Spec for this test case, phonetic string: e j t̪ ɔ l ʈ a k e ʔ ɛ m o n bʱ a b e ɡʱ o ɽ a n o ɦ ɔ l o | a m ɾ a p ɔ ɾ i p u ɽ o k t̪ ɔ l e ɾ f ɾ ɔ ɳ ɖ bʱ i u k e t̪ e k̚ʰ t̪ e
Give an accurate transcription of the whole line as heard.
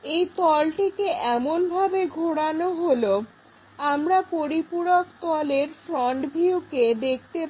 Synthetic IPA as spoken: e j t̪ ɔ l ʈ i k e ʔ ɛ m o n bʱ a b e ɡʱ o ɽ a n o ɦ o l o | a m ɾ a p o ɾ i p u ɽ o k t̪ ɔ l e ɾ f ɾ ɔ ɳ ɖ bʱ i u k e d̪ e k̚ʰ t̪ e